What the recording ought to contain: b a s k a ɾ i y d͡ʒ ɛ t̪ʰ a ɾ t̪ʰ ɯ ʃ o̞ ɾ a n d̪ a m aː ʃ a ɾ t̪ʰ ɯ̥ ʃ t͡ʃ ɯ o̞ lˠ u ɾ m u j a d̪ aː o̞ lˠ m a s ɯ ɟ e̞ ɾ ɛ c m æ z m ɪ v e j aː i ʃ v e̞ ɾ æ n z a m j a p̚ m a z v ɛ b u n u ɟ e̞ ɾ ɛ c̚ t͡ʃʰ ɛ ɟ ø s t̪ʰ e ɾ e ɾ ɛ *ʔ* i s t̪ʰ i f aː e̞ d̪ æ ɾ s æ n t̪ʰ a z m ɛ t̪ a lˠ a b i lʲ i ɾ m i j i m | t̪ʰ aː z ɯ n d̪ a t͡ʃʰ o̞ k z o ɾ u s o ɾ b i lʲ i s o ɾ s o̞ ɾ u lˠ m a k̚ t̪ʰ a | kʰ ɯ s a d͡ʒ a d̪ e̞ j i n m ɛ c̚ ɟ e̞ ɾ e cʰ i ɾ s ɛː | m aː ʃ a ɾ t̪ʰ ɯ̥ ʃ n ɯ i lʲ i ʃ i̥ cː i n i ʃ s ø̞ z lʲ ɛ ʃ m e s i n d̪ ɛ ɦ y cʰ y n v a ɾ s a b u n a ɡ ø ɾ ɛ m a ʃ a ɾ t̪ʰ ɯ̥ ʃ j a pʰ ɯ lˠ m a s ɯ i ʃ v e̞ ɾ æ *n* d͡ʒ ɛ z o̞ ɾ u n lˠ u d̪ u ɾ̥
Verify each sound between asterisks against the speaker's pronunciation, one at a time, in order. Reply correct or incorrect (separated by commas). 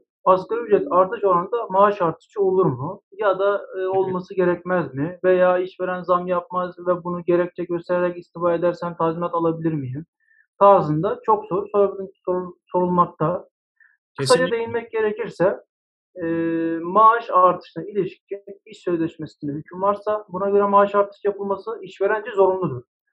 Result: incorrect, correct